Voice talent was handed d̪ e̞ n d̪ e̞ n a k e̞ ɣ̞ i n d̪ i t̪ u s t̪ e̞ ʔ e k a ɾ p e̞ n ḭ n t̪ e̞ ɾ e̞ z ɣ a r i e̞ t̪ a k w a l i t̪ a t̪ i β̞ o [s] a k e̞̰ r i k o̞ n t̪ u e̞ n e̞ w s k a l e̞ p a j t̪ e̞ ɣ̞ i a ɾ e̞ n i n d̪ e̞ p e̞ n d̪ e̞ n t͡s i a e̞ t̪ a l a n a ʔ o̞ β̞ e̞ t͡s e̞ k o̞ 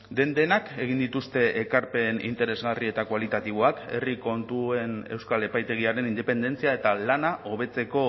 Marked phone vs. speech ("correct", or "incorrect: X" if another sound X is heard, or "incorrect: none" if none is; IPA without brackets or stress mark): incorrect: none